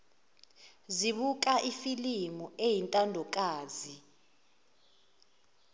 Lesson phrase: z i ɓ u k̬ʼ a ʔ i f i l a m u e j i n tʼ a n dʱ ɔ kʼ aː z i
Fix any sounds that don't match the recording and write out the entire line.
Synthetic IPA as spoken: z i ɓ u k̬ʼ a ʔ i f i l i m u e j i n tʼ a n dʱ ɔ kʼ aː z i